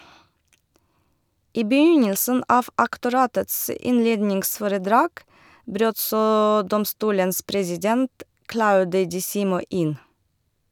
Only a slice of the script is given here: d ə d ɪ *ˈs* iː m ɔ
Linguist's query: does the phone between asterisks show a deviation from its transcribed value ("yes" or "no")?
no